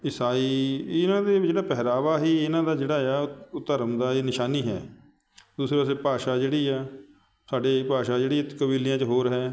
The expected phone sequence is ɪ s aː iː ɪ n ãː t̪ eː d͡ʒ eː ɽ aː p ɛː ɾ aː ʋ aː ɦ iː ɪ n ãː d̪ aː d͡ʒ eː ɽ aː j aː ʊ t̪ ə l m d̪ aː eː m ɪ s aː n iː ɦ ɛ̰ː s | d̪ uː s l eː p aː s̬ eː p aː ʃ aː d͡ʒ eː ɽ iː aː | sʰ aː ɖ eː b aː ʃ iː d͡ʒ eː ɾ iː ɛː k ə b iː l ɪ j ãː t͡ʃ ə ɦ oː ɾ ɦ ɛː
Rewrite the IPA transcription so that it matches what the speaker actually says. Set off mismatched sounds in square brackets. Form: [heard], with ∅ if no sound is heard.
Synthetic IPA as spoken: ɪ s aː iː ɪ n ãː [d̪] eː d͡ʒ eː ɽ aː p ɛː ɾ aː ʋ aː ɦ iː ɪ n ãː d̪ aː d͡ʒ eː ɽ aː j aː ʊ t̪ ə [ɾ] m d̪ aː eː [n] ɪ [ʃ] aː n iː ɦ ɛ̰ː [∅] | d̪ uː s [ɾ] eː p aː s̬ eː p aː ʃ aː d͡ʒ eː ɽ iː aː | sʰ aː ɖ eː [p] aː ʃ [aː] d͡ʒ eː [ɽ] iː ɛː k ə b iː l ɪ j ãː t͡ʃ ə ɦ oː ɾ ɦ ɛː